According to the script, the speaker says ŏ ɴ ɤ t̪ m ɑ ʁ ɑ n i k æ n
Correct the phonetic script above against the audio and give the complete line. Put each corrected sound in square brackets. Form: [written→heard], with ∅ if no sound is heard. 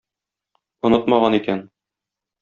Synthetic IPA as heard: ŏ [ɴ→n] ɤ t̪ m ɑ ʁ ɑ n i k æ n

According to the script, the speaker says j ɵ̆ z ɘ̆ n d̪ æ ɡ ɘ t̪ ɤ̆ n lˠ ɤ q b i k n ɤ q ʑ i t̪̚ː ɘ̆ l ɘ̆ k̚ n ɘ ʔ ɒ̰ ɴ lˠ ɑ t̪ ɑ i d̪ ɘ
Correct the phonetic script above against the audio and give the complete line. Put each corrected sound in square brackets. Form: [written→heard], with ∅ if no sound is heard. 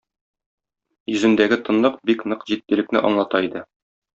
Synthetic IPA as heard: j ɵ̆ z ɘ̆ n d̪ æ ɡ ɘ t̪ ɤ̆ n lˠ ɤ q b i k n ɤ q ʑ i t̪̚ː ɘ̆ l ɘ̆ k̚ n ɘ ʔ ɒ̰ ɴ lˠ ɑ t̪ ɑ i d̪ ɘ

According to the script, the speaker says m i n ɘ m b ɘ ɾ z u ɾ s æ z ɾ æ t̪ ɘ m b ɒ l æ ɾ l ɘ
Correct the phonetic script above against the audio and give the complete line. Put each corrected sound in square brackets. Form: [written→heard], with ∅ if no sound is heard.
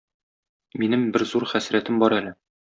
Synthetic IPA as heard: m i n ɘ m b ɘ ɾ z u ɾ [s→χ] æ [z→s] ɾ æ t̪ ɘ m b ɒ [l→ɾ] æ [ɾ→∅] l ɘ

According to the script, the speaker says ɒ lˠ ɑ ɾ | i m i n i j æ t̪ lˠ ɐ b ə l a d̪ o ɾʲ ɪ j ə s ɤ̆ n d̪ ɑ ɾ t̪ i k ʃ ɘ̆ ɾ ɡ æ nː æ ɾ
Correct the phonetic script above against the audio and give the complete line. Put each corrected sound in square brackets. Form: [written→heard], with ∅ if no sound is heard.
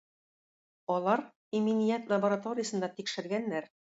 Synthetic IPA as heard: ɒ lˠ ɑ ɾ | i m i n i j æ t̪ lˠ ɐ b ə [l→ɾ] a [d̪→t̪] o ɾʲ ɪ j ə s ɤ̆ n d̪ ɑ [ɾ→∅] t̪ i k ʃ ɘ̆ ɾ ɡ æ nː æ ɾ

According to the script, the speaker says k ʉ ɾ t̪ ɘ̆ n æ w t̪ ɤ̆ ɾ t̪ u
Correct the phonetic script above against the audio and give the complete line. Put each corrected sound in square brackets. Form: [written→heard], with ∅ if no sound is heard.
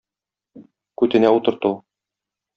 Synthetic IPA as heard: k ʉ [ɾ→∅] t̪ ɘ̆ n æ [w→u] t̪ ɤ̆ ɾ t̪ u

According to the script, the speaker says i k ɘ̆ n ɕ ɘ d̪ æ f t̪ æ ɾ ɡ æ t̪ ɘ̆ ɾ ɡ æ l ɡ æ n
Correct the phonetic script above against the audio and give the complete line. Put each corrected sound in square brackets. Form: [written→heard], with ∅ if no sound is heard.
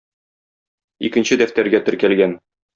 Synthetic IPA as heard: i k ɘ̆ n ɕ ɘ d̪ æ f t̪ æ ɾ ɡ æ t̪ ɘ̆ ɾ [ɡ→k] æ l ɡ æ n

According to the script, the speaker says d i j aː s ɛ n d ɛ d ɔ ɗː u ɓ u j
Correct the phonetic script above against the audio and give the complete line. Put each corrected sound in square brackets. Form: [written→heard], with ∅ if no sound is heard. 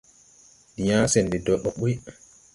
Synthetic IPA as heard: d i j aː s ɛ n d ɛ d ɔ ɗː [u→ɔ] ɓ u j

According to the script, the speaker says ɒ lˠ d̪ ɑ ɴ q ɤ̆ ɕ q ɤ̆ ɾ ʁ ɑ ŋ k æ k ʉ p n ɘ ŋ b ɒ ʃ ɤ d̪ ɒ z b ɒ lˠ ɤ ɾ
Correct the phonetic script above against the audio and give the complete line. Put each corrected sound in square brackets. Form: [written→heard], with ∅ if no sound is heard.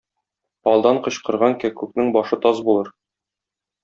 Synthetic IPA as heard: ɒ lˠ d̪ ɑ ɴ q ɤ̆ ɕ q ɤ̆ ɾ ʁ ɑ ŋ k æ k ʉ [p→k] n ɘ ŋ b ɒ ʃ ɤ [d̪→t̪] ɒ z b [ɒ→u] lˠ ɤ ɾ

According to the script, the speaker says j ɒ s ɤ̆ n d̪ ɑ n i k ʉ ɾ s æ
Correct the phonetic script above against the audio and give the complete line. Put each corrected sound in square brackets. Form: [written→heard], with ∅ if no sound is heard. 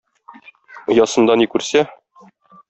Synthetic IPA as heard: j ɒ s ɤ̆ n d̪ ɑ n i k ʉ ɾ s æ

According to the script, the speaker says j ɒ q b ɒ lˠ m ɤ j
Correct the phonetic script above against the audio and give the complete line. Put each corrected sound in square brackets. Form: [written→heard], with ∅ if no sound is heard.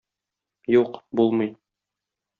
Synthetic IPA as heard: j [ɒ→u] q b [ɒ→u] lˠ m ɤ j

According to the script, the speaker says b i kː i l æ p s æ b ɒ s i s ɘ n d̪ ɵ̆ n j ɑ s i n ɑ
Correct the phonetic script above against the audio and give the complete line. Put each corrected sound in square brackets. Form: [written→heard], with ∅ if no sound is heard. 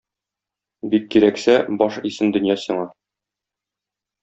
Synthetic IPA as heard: b i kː i [l→ɾ] æ [p→k] s æ b ɒ [s→ʃ] i s ɘ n d̪ ɵ̆ n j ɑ s i [n→ɴ] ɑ

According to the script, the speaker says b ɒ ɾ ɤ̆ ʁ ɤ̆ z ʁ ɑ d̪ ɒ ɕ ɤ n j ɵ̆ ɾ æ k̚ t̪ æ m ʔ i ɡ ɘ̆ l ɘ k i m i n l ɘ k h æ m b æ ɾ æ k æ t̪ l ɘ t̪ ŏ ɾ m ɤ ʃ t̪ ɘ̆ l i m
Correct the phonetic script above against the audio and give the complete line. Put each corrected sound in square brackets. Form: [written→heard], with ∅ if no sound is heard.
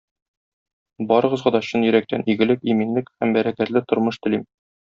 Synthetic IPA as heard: b ɒ ɾ ɤ̆ ʁ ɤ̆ z ʁ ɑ d̪ ɒ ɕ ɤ n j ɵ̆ ɾ æ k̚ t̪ æ [m→n] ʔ i ɡ ɘ̆ l ɘ k i m i n l ɘ k h æ m b æ ɾ æ k æ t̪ l ɘ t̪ ŏ ɾ m ɤ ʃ t̪ ɘ̆ l i m

